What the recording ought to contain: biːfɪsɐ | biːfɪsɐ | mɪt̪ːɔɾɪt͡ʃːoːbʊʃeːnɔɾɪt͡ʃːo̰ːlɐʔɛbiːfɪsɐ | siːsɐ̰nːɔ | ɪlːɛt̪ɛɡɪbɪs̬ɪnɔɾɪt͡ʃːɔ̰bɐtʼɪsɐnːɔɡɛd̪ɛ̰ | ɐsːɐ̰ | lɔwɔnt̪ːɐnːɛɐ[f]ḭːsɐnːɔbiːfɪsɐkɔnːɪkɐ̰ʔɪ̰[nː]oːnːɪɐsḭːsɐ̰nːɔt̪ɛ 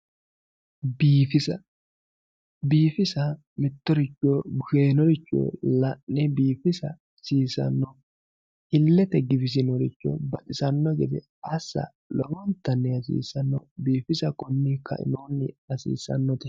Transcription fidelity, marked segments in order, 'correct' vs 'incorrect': incorrect: s, incorrect: n

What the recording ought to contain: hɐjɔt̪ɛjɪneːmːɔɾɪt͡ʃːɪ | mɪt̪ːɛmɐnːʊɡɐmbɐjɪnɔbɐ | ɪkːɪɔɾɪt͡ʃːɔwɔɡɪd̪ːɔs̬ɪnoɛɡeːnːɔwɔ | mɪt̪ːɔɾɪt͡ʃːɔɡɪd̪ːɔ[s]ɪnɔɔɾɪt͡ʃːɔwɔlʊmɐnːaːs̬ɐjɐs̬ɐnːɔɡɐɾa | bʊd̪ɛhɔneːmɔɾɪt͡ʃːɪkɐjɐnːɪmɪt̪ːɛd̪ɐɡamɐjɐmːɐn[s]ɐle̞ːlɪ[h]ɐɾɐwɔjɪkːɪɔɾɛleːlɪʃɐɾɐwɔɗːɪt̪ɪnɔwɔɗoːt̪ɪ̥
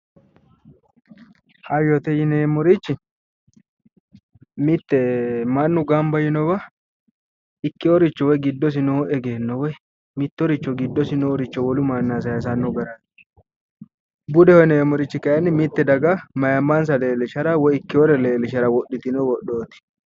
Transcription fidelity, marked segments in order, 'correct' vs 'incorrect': correct, correct, incorrect: ʃ

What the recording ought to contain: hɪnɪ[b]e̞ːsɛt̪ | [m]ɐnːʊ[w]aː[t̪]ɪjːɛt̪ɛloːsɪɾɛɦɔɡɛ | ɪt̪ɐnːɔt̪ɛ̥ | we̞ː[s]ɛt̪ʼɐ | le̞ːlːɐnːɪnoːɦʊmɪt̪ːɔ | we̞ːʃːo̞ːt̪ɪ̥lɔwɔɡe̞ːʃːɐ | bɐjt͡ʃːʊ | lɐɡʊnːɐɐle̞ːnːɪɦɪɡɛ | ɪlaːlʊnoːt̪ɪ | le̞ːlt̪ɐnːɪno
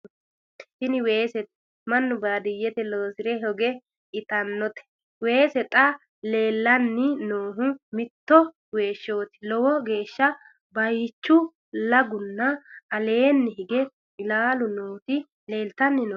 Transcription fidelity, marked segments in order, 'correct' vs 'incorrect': incorrect: w, correct, incorrect: b, incorrect: d̪, correct

